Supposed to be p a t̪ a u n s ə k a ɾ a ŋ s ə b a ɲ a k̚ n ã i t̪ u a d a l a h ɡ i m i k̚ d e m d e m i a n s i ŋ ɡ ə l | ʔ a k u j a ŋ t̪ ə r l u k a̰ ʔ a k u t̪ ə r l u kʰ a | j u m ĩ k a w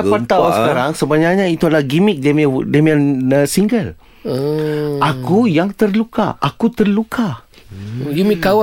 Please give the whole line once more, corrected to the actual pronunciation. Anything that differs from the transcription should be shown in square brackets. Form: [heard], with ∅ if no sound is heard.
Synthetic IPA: p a t̪ a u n s ə k a ɾ a ŋ s ə b a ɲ a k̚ [ɲ] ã i t̪ u a d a l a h ɡ i m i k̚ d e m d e m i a n s i ŋ ɡ ə l | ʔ a k u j a ŋ t̪ ə r l u k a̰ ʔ a k u t̪ ə r l u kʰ a | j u m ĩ k a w